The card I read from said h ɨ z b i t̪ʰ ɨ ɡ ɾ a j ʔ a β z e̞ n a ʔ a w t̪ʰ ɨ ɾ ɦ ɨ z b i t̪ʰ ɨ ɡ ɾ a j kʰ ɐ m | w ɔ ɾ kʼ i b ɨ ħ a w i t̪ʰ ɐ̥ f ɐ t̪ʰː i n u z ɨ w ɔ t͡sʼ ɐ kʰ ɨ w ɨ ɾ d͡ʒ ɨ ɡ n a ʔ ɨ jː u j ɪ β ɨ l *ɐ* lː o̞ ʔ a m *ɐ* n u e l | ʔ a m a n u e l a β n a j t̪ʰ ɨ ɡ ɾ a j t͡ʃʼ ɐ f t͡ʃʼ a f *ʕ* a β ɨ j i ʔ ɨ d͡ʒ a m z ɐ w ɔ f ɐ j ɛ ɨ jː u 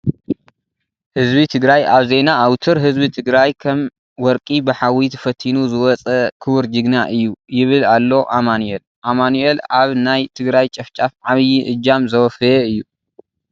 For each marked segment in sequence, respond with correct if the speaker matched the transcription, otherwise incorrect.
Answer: incorrect: a, incorrect: a, correct

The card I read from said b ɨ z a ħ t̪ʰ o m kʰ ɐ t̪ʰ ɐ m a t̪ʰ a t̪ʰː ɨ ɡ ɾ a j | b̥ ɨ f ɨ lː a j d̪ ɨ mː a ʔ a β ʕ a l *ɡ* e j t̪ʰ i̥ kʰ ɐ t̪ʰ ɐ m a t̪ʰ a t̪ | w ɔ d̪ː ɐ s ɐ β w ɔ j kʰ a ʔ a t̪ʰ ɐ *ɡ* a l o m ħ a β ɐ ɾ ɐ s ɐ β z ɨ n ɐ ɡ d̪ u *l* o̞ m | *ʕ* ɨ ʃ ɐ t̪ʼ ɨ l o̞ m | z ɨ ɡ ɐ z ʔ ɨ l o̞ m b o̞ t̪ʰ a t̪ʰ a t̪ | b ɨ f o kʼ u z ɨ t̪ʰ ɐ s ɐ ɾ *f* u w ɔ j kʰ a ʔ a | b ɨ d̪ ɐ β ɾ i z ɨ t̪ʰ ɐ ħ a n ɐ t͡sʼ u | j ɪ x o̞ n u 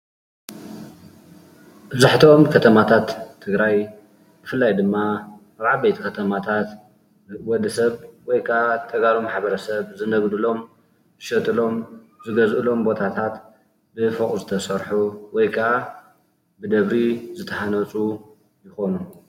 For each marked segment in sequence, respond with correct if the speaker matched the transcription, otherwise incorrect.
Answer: incorrect: b, correct, correct, incorrect: z, incorrect: ħ

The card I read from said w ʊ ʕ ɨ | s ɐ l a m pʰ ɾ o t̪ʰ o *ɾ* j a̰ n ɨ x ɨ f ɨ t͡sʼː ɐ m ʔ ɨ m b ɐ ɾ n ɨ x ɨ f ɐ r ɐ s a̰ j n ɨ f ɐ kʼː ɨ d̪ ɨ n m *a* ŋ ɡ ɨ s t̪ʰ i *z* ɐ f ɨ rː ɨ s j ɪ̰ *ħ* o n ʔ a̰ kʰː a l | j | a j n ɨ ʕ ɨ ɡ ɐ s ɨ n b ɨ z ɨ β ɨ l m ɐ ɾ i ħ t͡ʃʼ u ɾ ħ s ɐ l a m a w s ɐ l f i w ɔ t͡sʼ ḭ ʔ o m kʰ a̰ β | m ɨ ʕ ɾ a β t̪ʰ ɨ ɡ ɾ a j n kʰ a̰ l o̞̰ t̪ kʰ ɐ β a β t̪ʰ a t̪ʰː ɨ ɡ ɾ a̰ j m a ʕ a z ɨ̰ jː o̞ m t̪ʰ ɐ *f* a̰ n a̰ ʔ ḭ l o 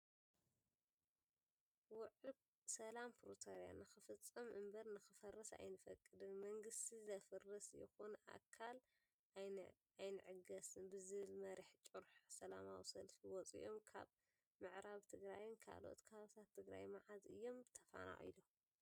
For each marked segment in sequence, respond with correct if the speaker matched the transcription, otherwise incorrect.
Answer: correct, incorrect: ɐ, correct, incorrect: x, correct

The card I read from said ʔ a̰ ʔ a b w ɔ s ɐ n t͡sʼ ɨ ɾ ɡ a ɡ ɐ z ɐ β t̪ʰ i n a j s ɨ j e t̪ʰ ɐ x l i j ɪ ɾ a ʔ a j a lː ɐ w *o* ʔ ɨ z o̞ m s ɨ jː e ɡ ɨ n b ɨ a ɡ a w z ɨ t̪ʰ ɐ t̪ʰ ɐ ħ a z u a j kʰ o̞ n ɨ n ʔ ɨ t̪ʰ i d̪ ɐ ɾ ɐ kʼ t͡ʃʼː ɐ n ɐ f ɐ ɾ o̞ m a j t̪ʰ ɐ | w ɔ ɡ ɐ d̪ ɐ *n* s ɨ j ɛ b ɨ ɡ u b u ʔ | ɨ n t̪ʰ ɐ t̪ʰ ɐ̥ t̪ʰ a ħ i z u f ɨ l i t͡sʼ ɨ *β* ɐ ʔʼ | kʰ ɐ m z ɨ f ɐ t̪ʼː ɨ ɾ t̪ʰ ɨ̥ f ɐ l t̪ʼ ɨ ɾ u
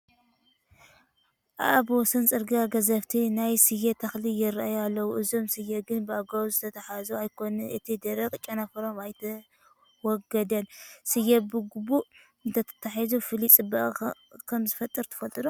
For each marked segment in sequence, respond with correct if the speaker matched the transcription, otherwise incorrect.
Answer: incorrect: u, correct, incorrect: b

